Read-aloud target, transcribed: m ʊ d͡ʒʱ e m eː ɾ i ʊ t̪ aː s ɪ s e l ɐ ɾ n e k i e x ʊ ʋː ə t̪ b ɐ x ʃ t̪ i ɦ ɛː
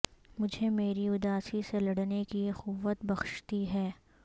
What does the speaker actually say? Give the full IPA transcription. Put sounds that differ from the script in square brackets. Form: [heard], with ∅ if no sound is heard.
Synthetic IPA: m ʊ d͡ʒʱ e m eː ɾ i ʊ [d̪] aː s [i] s e l ɐ [ɽ] n e k i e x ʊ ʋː ə t̪ b ɐ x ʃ t̪ i ɦ ɛː